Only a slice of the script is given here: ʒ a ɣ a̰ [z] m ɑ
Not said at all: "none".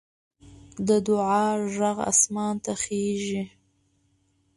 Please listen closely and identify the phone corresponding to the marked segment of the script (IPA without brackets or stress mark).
s